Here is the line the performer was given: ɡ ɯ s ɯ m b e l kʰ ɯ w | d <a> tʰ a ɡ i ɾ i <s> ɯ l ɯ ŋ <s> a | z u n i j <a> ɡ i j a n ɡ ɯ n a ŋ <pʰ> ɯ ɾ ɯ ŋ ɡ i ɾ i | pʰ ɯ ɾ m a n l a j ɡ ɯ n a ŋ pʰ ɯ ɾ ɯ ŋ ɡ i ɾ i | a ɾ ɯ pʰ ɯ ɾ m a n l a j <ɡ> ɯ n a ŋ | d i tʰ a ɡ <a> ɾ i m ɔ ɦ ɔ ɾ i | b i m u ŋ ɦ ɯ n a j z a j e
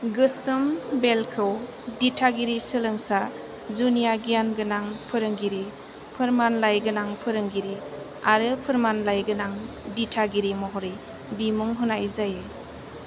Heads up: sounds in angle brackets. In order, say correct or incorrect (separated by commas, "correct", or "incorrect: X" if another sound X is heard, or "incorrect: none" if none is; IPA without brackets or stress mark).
incorrect: i, correct, correct, correct, correct, correct, incorrect: i